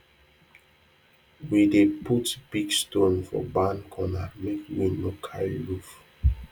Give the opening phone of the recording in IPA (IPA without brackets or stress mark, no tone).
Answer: w